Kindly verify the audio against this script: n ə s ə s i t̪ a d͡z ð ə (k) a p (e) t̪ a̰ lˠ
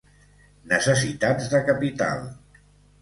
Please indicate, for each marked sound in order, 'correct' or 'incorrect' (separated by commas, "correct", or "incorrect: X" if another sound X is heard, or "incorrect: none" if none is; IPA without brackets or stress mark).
correct, incorrect: i